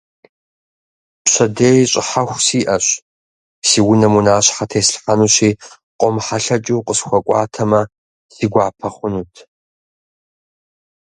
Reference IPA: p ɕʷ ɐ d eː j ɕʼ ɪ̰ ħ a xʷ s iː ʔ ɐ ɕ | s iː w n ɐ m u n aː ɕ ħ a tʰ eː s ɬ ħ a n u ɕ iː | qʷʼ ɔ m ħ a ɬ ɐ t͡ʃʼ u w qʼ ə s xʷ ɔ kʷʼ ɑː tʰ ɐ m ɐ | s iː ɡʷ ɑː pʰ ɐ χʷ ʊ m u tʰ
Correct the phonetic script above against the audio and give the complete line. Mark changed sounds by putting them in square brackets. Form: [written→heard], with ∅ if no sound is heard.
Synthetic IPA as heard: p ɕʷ ɐ d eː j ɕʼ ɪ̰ ħ a xʷ s iː ʔ ɐ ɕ | s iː w n ɐ m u n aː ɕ ħ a tʰ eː s ɬ ħ a n u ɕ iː | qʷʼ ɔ m ħ a ɬ ɐ t͡ʃʼ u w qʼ ə s xʷ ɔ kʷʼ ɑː tʰ ɐ m ɐ | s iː ɡʷ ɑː pʰ ɐ χʷ ʊ [m→n] u tʰ